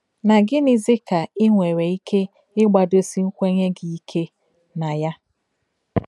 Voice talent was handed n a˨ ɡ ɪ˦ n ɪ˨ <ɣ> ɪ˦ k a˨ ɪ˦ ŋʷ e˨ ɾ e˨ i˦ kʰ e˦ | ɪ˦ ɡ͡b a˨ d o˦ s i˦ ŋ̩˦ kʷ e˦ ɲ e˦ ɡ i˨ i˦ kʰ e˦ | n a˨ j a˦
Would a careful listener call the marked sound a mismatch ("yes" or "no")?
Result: yes